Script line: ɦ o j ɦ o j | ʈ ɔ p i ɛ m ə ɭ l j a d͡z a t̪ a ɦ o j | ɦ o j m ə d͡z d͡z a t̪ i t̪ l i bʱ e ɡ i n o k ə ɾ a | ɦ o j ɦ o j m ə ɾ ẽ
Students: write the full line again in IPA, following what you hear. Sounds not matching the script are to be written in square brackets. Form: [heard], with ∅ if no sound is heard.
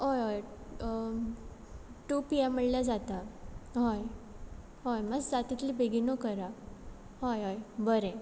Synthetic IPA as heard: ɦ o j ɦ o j | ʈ [u] p i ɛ m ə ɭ l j a d͡z a t̪ a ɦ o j | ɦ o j m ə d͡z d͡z a t̪ i t̪ l i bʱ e ɡ i n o k ə ɾ a | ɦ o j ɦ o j [b] ə ɾ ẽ